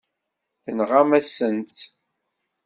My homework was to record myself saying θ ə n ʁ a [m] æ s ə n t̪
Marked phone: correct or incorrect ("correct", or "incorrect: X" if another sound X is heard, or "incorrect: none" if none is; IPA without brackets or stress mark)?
correct